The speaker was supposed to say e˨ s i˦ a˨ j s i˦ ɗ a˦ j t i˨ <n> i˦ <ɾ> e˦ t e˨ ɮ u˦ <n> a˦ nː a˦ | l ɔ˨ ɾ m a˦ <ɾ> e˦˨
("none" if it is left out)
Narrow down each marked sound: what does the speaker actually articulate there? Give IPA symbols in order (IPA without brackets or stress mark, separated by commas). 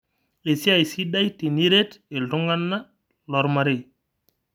n, ɾ, ŋ, ɾ